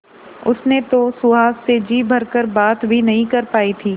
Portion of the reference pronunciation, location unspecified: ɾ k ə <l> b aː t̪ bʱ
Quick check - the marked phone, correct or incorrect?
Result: incorrect